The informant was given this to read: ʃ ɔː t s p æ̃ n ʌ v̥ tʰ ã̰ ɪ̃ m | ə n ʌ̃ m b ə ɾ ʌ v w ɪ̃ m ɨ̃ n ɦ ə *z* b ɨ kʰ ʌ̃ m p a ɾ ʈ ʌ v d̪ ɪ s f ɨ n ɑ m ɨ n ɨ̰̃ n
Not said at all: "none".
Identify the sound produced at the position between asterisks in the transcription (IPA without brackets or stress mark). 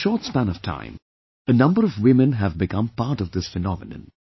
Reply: v